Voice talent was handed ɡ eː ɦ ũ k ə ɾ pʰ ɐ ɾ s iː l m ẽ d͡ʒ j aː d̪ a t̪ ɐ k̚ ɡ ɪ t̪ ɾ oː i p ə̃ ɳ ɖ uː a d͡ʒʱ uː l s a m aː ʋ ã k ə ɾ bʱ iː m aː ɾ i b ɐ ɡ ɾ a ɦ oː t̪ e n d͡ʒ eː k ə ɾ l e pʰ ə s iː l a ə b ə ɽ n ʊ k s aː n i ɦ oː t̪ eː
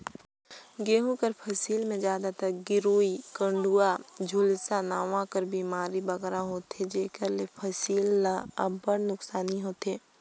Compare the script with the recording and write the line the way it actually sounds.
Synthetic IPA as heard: ɡ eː ɦ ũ k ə ɾ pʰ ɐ s iː l m ẽ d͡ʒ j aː d̪ a t̪ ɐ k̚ ɡ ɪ ɾ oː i k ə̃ ɳ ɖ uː a d͡ʒʱ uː l s a n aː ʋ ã k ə ɾ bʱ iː m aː ɾ i b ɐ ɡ ɾ a ɦ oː t̪ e d͡ʒ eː k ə ɾ l e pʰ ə s iː l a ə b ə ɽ n ʊ k s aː n i ɦ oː t̪ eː